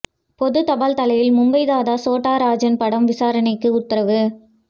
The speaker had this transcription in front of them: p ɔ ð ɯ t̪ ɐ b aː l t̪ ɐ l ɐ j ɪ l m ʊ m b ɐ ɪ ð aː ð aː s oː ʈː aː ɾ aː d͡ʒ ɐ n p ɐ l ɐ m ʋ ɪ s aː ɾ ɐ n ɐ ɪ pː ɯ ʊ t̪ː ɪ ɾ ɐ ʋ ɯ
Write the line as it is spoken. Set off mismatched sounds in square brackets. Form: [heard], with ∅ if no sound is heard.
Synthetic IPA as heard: p ɔ ð ɯ t̪ ɐ b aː l t̪ ɐ l ɐ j ɪ l m ʊ m b ɐ ɪ ð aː ð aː s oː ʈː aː ɾ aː d͡ʒ ɐ n p ɐ [ɽ] ɐ m ʋ ɪ s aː ɾ ɐ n ɐ ɪ [kː] ɯ ʊ t̪ː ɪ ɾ ɐ ʋ ɯ

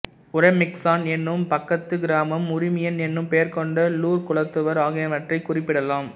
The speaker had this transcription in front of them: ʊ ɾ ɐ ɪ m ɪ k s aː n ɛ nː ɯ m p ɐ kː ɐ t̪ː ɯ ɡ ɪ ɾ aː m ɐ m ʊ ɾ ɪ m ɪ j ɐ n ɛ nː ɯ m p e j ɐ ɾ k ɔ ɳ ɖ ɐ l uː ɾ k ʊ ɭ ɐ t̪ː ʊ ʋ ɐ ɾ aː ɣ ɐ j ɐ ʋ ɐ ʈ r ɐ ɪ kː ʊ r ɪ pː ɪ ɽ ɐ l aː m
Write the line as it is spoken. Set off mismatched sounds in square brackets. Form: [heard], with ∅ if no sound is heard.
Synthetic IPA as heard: ʊ ɾ ɐ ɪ m ɪ k s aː n ɛ nː ɯ m p ɐ kː ɐ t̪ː ɯ ɡ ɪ ɾ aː m ɐ m ʊ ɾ ɪ m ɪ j ɐ n ɛ nː ɯ m p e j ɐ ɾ k ɔ ɳ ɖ ɐ l uː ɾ k ʊ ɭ ɐ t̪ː [ɯ] ʋ ɐ ɾ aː ɣ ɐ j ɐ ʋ ɐ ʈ r ɐ ɪ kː ʊ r ɪ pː ɪ ɽ ɐ l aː m

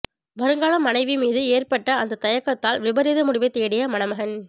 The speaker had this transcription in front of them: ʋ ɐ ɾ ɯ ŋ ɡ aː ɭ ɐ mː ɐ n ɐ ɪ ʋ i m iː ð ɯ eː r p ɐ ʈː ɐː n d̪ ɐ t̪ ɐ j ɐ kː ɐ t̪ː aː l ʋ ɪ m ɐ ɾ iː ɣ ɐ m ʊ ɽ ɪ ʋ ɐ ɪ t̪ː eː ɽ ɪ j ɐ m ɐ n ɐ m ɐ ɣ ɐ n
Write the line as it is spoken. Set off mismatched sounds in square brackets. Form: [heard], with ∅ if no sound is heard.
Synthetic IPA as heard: ʋ ɐ ɾ ɯ ŋ ɡ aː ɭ ɐ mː ɐ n ɐ ɪ ʋ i m iː ð ɯ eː r p ɐ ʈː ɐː n d̪ ɐ t̪ ɐ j ɐ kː ɐ t̪ː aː l ʋ ɪ [b] ɐ ɾ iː [ð] ɐ m ʊ ɽ ɪ ʋ ɐ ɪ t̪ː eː ɽ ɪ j ɐ m ɐ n ɐ m ɐ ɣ ɐ n

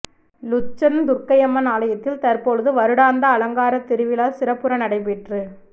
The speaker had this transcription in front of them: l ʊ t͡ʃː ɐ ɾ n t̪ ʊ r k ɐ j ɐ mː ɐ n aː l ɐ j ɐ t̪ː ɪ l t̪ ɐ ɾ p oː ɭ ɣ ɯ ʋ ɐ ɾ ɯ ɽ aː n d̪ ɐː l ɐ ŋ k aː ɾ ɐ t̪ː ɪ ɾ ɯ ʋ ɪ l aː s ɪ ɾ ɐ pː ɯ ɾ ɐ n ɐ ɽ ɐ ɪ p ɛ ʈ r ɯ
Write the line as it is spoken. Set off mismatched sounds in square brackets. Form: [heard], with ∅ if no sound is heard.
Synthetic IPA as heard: l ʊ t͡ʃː ɐ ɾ n [d̪] ʊ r k ɐ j ɐ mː ɐ n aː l ɐ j ɐ t̪ː ɪ l t̪ ɐ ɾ p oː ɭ [ð] ɯ ʋ ɐ ɾ ɯ ɽ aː n d̪ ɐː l ɐ ŋ [ɡ] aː ɾ ɐ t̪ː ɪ ɾ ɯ ʋ ɪ l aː s ɪ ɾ ɐ pː ɯ ɾ ɐ n ɐ ɽ ɐ ɪ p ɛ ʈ r ɯ

